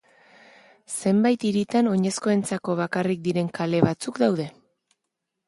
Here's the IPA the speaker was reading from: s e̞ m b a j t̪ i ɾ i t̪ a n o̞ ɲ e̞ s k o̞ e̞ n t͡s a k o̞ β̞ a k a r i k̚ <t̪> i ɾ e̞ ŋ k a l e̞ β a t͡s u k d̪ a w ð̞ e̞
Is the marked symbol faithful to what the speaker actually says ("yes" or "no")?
no